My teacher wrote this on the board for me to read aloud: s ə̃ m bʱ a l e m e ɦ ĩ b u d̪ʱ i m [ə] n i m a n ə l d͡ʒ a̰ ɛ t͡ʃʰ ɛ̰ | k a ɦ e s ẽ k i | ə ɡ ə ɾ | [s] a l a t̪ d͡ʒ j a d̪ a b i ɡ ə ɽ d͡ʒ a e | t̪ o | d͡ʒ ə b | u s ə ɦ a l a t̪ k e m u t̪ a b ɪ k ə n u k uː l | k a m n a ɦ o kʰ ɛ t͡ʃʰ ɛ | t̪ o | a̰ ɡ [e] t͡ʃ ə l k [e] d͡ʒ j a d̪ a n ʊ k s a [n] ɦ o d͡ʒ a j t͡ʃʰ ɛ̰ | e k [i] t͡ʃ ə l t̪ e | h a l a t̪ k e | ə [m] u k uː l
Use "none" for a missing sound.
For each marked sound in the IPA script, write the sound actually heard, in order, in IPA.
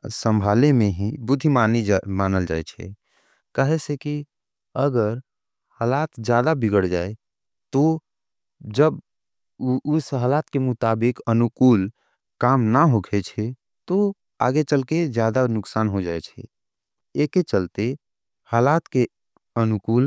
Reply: a, h, e, e, n, e, n

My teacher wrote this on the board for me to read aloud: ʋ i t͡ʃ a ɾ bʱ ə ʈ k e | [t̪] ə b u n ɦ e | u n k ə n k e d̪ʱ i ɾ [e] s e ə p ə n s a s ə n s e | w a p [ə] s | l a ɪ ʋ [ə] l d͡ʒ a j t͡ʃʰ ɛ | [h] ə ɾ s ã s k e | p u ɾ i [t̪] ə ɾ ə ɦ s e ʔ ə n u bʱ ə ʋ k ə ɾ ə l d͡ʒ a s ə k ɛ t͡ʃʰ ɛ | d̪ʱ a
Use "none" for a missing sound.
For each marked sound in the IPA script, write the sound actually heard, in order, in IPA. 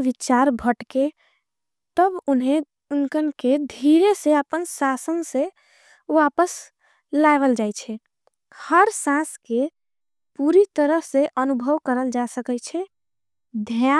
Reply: t̪, e, ə, ə, h, t̪

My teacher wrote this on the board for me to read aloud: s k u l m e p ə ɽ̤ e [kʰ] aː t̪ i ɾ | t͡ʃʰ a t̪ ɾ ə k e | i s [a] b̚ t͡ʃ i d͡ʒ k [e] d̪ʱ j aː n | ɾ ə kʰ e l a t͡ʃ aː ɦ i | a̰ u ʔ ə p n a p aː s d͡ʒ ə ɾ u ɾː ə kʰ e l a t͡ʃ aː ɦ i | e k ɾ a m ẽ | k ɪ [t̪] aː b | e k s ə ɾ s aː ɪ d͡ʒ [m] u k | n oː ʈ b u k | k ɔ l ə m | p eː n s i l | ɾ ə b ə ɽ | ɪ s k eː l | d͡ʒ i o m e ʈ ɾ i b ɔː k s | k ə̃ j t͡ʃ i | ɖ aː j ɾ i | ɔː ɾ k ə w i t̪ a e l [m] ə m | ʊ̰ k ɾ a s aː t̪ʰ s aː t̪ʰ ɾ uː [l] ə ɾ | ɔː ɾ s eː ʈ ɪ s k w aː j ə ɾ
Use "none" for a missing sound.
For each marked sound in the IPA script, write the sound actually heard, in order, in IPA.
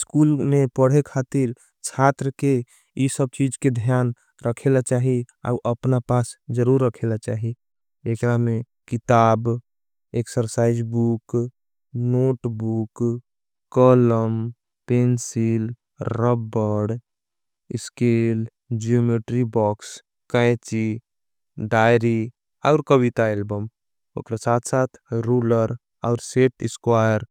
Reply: kʰ, ə, e, t̪, b, b, l

